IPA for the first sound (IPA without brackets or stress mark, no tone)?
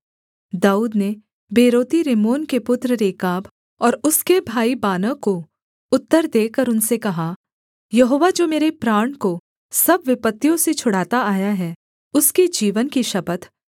d̪